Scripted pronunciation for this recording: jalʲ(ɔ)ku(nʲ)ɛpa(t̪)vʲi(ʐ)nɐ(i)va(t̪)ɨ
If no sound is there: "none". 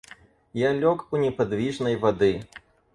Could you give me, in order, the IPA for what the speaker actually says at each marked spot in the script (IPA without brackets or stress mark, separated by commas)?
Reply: ɔ, nʲ, d̪, ʐ, j, d̪